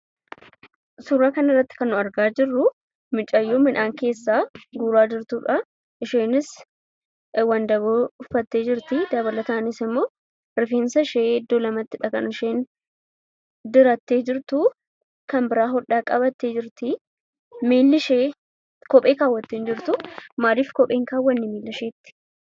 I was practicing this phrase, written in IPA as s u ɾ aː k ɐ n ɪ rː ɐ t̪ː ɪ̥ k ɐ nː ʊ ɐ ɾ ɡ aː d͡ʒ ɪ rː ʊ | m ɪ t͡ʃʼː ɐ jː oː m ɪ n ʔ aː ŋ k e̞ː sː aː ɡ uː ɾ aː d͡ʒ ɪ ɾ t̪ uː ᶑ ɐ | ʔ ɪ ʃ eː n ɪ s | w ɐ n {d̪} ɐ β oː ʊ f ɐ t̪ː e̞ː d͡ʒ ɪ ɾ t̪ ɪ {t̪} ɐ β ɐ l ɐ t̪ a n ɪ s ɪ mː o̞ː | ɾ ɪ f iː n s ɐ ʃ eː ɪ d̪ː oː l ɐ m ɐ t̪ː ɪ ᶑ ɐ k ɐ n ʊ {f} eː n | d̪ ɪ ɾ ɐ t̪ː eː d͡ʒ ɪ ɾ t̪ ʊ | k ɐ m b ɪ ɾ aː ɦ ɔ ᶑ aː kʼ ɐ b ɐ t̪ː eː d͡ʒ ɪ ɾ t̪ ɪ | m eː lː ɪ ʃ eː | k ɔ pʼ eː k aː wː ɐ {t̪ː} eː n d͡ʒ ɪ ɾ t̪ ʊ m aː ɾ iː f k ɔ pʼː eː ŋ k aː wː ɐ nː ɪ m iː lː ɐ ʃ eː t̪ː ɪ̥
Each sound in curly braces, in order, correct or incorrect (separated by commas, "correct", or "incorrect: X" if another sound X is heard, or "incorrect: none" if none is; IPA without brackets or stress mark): correct, incorrect: d̪, incorrect: ʃ, correct